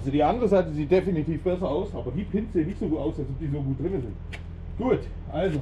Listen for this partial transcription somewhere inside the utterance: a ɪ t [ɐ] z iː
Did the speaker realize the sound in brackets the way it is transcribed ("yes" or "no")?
no